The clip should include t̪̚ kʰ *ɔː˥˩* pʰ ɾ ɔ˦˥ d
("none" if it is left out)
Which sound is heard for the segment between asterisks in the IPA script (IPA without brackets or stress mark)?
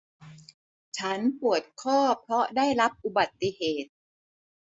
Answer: ɔː˥˩